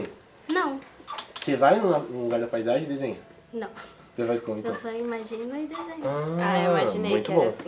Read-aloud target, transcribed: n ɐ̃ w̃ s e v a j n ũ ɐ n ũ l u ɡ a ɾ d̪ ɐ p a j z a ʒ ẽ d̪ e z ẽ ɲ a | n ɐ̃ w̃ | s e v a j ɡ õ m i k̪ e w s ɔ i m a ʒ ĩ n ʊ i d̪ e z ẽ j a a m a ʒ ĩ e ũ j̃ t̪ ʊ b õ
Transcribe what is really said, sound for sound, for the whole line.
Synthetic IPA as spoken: n ɐ̃ w̃ s e v a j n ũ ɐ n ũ l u ɡ a ɾ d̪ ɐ p a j z a ʒ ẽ d̪ e z ẽ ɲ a | n ɐ̃ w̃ | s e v a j k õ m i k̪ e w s ɔ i m a ʒ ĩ n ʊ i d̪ e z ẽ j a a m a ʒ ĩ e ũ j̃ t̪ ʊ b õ